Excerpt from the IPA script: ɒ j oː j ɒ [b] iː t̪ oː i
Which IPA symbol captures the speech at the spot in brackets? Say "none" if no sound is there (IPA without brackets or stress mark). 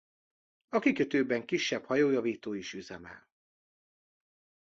v